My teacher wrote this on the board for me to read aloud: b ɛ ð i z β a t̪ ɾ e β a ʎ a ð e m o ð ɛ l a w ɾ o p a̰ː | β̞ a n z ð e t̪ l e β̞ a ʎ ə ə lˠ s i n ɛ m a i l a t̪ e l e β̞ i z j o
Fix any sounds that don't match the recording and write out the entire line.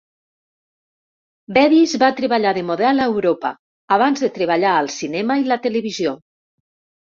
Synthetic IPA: b ɛ ð i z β a t̪ ɾ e β a ʎ a ð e m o ð ɛ l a w ɾ o p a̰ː | β̞ a n z ð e t̪ ɾ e β̞ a ʎ a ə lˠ s i n ɛ m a i l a t̪ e l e β̞ i z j o